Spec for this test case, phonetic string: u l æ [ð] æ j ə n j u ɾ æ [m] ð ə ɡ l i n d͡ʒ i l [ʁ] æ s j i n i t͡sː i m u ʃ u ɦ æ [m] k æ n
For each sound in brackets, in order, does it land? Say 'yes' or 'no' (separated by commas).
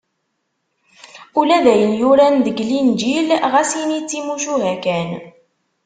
yes, no, yes, no